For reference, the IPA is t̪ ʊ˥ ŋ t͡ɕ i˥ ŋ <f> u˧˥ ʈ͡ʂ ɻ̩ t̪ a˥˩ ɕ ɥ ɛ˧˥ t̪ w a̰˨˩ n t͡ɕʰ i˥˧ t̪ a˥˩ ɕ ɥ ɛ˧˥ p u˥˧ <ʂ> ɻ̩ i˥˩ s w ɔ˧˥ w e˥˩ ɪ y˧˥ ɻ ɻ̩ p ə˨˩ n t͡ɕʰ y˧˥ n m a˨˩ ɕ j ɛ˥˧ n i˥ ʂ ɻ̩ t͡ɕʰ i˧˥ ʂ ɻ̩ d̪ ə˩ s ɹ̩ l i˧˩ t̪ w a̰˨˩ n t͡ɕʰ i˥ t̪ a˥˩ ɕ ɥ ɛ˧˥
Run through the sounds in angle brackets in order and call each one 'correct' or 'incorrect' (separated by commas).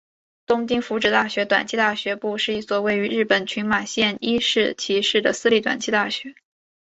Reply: correct, correct